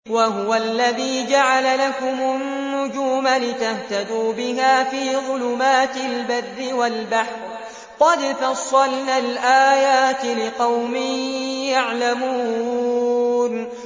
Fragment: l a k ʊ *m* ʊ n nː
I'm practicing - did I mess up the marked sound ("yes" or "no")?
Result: no